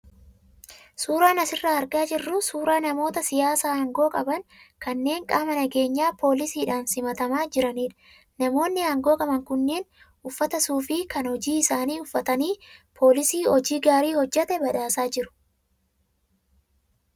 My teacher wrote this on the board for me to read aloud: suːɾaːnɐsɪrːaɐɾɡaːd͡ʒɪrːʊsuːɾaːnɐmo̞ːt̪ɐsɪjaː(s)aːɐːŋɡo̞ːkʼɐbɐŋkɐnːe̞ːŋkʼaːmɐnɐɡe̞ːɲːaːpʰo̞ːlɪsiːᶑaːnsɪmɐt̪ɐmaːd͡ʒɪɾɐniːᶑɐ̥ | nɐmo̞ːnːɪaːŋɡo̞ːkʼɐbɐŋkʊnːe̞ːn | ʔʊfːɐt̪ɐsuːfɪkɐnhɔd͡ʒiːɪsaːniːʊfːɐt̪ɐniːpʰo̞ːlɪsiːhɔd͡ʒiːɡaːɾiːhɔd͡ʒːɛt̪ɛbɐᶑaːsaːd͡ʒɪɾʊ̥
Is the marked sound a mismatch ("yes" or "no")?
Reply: no